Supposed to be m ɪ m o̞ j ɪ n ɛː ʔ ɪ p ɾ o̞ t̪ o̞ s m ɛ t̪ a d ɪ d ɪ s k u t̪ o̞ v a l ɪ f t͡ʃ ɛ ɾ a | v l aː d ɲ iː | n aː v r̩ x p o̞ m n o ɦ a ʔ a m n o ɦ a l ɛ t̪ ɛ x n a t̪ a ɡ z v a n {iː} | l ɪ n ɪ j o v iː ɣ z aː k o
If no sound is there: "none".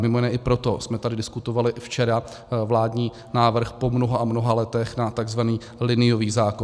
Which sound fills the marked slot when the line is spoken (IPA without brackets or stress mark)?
iː